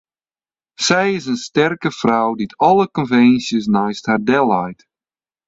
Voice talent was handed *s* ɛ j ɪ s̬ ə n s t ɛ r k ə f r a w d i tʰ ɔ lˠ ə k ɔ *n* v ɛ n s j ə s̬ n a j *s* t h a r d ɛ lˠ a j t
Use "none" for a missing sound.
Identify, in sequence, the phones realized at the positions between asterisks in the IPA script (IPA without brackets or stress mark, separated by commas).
s, n, s